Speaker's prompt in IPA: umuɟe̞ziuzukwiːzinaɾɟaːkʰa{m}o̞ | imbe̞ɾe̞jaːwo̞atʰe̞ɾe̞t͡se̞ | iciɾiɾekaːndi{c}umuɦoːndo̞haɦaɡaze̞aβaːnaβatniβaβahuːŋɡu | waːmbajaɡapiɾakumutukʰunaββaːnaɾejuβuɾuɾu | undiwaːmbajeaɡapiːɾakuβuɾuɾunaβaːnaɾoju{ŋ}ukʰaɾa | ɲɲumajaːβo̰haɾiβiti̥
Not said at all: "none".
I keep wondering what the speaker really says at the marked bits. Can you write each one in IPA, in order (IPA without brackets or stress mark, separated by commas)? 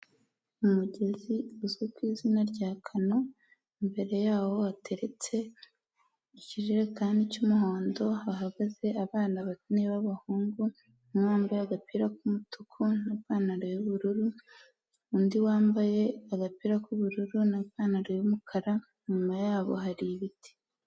n, c, m